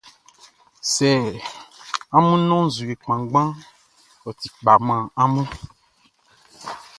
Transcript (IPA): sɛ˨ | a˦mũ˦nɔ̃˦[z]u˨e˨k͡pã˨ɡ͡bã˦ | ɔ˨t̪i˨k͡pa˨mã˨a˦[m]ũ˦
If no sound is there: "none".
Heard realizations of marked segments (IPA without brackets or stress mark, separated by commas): z, m